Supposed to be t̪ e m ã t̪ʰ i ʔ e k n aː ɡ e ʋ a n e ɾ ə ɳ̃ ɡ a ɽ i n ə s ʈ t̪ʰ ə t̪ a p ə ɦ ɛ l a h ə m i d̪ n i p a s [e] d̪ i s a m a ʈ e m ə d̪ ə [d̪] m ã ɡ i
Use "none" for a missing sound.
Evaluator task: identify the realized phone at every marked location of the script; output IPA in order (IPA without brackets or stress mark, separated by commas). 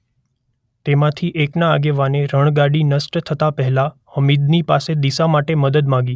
e, d̪